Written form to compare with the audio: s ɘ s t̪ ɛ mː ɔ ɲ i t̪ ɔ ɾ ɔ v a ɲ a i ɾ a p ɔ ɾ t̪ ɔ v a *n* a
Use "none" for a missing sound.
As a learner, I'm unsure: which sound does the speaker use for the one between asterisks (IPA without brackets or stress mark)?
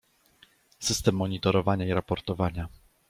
ɲ